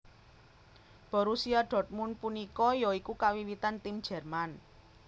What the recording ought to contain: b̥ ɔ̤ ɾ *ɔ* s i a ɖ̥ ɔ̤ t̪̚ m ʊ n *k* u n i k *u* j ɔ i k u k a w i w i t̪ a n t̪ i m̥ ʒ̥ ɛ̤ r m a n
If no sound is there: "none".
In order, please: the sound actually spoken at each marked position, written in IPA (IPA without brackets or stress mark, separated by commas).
u, p, ɔ